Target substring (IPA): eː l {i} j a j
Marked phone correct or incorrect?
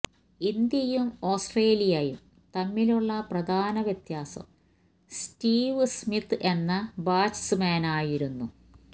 correct